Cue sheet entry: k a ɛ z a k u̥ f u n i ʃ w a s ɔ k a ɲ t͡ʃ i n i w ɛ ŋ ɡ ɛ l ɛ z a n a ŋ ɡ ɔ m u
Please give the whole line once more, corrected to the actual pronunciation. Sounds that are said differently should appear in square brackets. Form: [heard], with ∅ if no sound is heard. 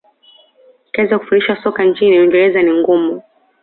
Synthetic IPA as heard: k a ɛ z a k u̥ f u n i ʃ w a s ɔ k a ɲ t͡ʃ i n i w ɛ ŋ ɡ ɛ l ɛ z a n [i] ŋ ɡ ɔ m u